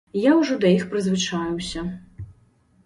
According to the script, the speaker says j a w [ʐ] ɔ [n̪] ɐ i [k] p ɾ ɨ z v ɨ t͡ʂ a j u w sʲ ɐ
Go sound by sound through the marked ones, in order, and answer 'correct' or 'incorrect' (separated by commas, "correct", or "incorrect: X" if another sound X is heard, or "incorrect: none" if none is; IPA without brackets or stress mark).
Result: correct, incorrect: d̪, incorrect: x